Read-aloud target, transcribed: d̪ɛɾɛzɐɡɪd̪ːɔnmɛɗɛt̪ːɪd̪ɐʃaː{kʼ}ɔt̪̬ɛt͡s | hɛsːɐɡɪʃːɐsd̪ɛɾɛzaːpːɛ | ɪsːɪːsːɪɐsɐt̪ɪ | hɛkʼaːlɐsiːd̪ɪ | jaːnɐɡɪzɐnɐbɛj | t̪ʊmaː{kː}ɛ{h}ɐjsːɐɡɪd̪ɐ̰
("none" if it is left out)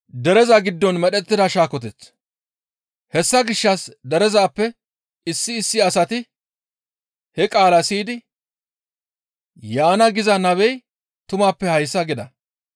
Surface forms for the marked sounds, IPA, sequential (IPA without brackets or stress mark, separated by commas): k, pː, h